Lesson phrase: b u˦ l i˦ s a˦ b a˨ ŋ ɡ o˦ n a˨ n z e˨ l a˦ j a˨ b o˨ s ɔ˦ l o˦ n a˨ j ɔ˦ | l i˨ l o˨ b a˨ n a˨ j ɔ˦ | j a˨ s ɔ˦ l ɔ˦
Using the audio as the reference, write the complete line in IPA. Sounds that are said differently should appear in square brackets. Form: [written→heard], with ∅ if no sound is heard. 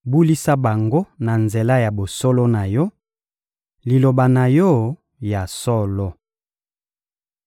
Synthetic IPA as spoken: b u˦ l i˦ s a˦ b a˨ ŋ ɡ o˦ n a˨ n z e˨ l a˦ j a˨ b o˨ s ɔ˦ l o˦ n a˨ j ɔ˦ | l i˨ l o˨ b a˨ n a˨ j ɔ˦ | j a˨ s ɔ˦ l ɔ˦

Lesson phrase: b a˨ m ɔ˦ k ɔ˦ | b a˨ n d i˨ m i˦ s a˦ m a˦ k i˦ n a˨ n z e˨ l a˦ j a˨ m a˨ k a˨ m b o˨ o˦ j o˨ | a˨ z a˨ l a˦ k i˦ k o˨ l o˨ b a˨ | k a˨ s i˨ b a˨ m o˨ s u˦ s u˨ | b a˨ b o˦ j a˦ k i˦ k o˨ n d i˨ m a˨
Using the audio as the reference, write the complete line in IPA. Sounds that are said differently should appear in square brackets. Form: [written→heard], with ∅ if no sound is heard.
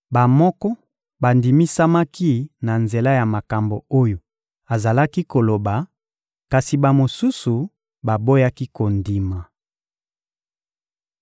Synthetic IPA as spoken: b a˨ m ɔ˦ k ɔ˦ | b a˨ n d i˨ m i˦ s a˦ m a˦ k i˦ n a˨ n z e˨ l a˦ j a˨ m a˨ k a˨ m b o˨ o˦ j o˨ | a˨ z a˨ l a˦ k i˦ k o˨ l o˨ b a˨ | k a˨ s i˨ b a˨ m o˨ s u˦ s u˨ | b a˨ b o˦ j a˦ k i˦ k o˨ n d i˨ m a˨

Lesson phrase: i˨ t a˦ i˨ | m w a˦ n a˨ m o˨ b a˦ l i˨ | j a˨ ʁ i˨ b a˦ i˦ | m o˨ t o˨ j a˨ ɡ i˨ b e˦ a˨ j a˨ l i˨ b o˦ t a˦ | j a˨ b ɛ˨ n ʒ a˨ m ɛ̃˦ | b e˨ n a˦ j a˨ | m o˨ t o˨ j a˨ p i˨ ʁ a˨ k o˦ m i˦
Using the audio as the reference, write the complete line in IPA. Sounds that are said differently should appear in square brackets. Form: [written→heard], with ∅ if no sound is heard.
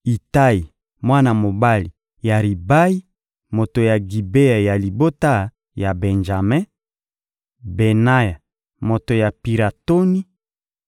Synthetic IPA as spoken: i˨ t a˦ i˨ | m w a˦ n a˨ m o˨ b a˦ l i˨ | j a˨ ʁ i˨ b a˦ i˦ | m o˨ t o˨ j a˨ ɡ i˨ b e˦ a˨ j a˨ l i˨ b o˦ t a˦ | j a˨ b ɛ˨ n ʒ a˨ m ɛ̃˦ | b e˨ n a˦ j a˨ | m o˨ t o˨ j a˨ p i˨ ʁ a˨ [k→t] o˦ [m→n] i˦

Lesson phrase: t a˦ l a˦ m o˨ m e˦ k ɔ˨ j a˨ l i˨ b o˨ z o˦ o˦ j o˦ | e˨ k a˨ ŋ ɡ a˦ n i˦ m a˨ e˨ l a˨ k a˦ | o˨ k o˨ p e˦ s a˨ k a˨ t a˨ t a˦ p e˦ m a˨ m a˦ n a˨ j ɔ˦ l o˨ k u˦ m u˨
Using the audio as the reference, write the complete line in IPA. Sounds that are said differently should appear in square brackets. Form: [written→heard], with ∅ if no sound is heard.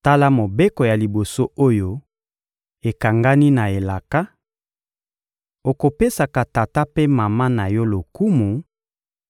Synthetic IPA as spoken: t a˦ l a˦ m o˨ [m→b] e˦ k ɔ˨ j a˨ l i˨ b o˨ [z→s] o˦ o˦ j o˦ | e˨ k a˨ ŋ ɡ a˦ n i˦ [m→n] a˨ e˨ l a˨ k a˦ | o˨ k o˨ p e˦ s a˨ k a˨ t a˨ t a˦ p e˦ m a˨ m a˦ n a˨ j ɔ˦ l o˨ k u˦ m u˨

